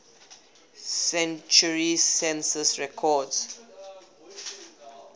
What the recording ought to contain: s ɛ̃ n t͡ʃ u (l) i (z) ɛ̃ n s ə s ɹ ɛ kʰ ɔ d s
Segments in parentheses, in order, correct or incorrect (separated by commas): incorrect, incorrect